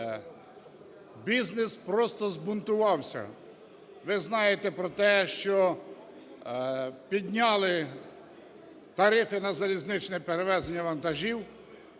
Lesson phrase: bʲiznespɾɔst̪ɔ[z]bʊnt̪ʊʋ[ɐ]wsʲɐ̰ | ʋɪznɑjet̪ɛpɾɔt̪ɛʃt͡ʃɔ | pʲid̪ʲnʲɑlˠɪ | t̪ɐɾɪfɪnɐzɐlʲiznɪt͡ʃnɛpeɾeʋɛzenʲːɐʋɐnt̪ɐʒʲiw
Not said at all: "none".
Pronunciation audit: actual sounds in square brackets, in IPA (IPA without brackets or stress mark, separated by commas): z, ɑ